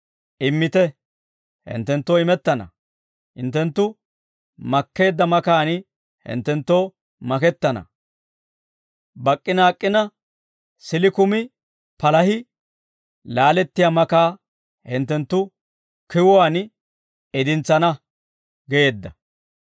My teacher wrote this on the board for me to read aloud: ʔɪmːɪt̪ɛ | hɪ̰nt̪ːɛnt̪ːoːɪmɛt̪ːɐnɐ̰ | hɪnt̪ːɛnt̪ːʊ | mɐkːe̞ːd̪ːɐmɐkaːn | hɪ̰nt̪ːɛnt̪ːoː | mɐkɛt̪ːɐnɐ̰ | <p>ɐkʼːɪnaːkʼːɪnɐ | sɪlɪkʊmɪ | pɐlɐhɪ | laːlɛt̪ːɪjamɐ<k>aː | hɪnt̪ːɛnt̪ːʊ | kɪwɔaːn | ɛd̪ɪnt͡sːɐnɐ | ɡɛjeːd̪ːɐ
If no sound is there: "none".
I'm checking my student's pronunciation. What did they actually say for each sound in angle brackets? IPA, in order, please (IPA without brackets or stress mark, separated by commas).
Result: b, k